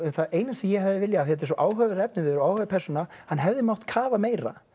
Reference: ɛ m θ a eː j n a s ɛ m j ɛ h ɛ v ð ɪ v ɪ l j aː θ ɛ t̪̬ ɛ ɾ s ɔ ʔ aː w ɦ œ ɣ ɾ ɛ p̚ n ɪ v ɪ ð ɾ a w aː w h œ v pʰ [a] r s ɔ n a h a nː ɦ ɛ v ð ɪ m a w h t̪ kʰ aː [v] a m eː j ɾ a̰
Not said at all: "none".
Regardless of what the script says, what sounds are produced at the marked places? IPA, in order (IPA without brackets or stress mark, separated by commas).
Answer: ɛ, v